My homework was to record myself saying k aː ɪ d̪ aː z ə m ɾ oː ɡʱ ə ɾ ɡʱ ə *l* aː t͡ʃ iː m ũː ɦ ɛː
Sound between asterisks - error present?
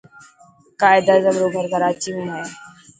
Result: yes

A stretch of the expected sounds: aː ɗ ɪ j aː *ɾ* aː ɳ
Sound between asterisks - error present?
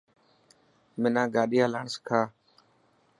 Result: yes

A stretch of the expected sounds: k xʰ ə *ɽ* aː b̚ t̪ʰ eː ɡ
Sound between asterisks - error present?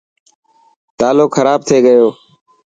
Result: yes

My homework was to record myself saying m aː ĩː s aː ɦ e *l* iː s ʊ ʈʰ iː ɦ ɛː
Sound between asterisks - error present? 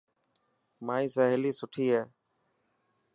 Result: no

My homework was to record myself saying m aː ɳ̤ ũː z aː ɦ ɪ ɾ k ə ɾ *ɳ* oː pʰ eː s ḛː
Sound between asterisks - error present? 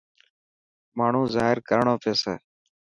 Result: no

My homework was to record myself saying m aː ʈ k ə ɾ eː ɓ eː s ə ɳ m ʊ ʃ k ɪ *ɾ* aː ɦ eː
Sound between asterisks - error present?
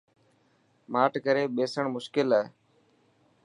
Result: yes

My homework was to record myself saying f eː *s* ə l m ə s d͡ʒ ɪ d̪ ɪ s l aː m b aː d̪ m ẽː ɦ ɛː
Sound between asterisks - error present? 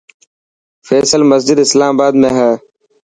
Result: no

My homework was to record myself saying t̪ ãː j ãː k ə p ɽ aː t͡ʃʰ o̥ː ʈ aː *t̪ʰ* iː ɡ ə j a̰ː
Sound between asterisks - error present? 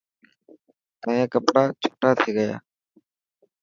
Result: no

